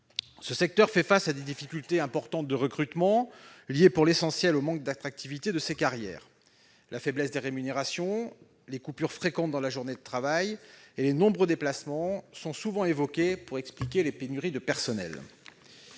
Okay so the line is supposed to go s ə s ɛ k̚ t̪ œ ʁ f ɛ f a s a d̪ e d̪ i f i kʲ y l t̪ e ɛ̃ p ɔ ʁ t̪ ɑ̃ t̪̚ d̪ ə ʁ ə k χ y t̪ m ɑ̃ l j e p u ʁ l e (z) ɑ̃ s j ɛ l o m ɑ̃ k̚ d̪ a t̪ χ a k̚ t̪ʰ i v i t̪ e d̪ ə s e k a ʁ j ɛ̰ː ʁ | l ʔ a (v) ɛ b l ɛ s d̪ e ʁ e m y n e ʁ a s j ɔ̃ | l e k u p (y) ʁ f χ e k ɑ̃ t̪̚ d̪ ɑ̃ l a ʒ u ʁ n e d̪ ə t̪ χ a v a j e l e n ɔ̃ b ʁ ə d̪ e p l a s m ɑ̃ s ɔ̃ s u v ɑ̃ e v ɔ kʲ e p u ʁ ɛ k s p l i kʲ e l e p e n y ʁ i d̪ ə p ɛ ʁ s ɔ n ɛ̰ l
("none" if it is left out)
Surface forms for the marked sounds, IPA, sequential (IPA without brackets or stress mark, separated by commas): s, f, y